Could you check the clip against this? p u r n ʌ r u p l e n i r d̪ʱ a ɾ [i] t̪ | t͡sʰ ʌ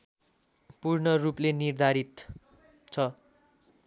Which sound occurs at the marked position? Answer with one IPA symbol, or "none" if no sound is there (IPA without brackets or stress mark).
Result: i